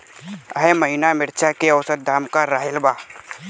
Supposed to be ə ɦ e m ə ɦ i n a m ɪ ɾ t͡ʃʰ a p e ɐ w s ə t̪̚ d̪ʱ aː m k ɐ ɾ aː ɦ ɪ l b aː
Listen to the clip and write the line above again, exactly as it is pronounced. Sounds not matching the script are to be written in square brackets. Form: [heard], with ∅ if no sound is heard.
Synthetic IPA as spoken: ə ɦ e m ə ɦ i n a m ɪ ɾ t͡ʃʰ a [k] e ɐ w s ə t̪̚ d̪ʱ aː m k [a] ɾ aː ɦ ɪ l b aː